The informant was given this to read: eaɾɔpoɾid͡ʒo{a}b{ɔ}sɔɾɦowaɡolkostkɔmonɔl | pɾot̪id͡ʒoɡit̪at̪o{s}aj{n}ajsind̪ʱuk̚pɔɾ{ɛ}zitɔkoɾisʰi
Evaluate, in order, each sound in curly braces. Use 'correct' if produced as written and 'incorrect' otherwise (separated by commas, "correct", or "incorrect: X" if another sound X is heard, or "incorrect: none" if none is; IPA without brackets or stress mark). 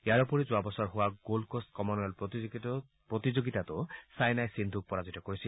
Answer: correct, correct, correct, correct, incorrect: a